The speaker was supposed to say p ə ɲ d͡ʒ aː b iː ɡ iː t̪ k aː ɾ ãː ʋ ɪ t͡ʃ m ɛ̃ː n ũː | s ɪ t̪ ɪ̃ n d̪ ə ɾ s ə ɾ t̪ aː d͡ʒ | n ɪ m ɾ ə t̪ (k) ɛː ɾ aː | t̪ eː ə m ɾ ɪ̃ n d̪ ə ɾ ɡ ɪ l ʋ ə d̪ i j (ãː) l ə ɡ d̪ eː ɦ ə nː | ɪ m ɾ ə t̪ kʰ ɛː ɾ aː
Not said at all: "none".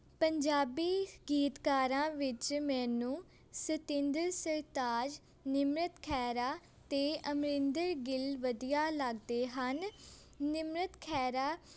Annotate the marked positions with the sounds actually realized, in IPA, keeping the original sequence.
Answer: kʰ, aː

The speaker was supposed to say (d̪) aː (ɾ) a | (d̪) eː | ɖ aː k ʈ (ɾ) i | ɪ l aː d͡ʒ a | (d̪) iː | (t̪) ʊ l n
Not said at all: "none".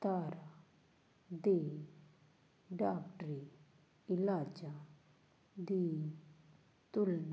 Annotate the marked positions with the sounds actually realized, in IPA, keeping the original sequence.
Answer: t̪, ɾ, d̪, ɾ, d̪, t̪

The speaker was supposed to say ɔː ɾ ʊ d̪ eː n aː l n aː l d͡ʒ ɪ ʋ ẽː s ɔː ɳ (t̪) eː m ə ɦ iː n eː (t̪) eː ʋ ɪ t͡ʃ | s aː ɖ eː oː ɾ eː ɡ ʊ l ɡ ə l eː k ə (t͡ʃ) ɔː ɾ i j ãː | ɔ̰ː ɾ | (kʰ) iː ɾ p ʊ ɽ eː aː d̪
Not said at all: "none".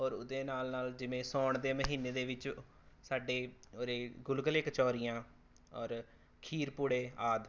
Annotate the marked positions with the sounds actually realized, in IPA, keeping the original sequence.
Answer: d̪, d̪, t͡ʃ, kʰ

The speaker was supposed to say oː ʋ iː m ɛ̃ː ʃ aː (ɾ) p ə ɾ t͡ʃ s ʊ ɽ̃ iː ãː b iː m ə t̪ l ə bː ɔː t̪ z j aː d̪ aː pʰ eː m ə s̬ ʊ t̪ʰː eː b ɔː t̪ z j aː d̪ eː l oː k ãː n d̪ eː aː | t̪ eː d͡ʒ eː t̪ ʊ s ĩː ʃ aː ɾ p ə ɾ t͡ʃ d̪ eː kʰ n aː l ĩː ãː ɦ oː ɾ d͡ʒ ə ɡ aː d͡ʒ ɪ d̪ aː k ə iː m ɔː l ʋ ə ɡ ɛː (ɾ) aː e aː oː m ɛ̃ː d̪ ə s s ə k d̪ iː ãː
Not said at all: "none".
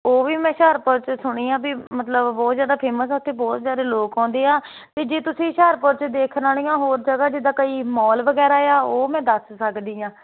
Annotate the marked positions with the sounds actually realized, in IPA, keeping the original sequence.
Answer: ɾ, ɾ

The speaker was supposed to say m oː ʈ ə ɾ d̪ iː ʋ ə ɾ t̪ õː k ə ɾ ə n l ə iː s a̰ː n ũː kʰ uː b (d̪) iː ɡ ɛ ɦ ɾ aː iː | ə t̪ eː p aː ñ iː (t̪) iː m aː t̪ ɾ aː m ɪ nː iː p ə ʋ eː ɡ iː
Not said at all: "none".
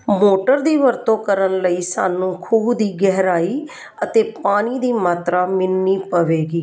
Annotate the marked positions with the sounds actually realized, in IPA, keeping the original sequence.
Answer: d̪, d̪

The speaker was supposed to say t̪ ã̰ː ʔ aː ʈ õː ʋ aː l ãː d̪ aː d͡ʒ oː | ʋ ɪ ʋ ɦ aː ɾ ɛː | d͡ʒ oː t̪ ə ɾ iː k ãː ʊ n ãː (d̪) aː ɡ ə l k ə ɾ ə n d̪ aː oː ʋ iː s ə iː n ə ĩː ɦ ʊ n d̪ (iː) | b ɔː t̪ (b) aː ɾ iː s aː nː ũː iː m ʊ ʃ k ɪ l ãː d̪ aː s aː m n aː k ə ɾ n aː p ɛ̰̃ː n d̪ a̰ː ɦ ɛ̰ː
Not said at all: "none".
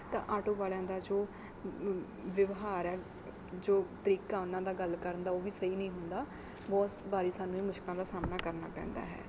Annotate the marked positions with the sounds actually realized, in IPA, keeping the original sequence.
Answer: d̪, aː, b

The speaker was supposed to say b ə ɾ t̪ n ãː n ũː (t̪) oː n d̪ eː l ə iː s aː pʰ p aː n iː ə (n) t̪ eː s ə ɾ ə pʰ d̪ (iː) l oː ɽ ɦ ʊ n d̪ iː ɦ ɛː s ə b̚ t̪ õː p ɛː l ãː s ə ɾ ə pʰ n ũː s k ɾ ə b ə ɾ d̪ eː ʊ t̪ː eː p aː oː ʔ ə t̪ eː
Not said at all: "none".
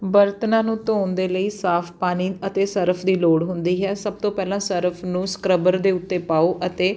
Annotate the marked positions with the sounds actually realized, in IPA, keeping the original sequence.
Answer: t̪, none, iː

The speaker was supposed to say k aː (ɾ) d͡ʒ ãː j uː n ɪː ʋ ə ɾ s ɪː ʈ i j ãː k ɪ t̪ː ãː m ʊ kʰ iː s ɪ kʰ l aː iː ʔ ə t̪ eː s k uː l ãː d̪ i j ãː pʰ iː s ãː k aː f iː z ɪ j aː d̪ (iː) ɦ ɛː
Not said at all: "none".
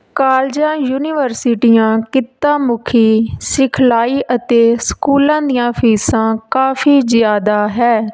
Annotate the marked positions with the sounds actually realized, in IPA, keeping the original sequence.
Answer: l, aː

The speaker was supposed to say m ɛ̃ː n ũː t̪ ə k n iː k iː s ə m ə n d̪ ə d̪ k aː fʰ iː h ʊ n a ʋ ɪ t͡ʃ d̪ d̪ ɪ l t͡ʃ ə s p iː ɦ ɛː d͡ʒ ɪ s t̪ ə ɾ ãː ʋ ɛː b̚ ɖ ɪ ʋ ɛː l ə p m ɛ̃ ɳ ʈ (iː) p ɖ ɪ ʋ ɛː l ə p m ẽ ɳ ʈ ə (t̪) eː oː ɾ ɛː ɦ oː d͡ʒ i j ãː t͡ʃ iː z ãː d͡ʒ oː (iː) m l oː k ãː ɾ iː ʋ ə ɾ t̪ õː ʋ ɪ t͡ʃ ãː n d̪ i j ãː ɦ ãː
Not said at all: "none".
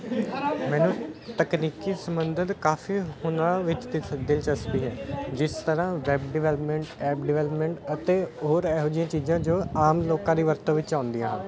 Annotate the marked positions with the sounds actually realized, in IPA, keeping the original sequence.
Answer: ɛː, t̪, aː

